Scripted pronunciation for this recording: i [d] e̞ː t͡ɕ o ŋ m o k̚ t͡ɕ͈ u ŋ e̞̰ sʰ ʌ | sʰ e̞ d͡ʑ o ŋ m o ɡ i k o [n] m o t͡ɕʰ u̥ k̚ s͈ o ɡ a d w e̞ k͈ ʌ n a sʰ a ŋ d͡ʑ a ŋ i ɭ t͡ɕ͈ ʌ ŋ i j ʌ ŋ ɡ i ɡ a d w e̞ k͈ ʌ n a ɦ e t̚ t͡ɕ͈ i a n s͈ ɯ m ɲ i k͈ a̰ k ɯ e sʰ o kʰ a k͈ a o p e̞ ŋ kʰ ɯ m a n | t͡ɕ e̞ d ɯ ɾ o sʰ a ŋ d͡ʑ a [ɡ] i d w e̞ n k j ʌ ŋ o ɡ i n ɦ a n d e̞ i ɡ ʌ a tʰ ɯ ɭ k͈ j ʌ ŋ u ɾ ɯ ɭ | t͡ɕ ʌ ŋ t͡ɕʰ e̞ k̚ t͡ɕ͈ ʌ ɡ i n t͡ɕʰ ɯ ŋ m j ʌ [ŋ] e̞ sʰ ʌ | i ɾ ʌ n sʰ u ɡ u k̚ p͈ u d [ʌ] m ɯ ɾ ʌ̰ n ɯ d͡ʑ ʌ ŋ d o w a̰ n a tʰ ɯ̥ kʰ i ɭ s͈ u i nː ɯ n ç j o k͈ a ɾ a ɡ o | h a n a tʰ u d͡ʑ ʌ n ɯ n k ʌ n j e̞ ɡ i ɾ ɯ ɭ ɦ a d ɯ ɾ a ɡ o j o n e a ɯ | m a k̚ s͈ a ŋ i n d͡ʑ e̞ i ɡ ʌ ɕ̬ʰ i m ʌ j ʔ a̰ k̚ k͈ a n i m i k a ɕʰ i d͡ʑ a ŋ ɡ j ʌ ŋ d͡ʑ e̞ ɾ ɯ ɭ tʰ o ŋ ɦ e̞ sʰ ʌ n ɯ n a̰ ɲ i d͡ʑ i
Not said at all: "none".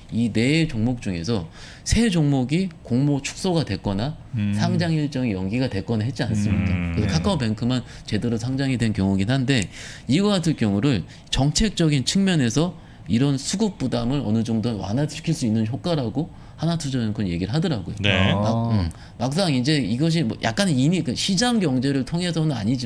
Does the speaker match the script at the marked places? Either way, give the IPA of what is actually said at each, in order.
n, ŋ, ŋ, n, a

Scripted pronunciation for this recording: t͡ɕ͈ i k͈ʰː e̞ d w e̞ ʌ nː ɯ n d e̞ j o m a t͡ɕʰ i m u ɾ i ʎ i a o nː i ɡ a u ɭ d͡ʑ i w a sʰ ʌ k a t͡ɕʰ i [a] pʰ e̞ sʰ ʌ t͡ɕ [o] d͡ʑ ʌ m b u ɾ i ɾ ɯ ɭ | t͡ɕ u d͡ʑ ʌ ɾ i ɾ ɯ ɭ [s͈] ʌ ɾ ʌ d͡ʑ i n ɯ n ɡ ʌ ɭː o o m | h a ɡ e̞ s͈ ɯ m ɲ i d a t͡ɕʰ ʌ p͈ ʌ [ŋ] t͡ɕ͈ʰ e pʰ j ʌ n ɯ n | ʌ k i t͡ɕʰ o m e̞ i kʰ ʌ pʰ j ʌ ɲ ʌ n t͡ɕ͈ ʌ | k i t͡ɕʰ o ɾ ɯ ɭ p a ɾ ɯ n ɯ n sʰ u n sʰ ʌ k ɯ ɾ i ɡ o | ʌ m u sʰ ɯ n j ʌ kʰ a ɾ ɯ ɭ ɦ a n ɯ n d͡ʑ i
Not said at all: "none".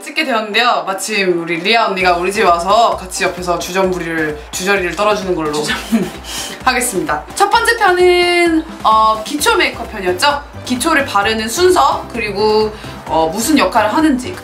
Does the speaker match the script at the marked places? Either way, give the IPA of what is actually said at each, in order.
ʌ, u, t͈, n

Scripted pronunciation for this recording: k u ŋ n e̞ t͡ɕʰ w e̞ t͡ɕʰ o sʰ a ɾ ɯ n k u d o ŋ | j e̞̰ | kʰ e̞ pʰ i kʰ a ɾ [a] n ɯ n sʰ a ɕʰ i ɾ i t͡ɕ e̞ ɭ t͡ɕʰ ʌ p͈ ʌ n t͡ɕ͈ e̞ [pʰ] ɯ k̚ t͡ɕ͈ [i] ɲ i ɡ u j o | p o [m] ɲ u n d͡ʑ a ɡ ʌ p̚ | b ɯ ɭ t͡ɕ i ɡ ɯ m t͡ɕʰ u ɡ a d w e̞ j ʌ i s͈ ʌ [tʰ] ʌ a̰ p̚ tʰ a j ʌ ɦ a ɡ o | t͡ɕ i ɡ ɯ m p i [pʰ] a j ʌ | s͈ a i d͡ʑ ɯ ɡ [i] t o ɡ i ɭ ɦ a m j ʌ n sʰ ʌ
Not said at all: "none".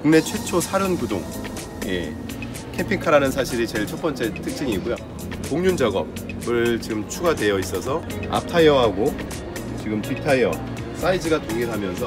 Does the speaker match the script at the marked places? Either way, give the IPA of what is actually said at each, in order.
a, tʰ, i, ŋ, sʰ, tʰ, a

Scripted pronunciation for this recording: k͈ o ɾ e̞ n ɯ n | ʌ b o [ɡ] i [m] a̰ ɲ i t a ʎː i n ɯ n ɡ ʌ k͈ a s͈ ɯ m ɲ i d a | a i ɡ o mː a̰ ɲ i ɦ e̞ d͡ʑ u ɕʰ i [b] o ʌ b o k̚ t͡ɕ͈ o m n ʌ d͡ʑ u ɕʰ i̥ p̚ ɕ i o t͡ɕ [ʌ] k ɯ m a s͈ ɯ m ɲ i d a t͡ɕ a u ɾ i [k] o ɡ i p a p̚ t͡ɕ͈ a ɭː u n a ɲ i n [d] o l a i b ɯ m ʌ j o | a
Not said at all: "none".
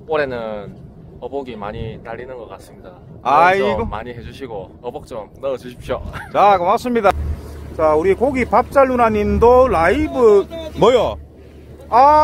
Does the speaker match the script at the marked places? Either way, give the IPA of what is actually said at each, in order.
ɡ, m, ɡ, a, k, d

